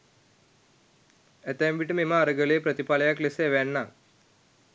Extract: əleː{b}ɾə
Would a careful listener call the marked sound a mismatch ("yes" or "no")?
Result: yes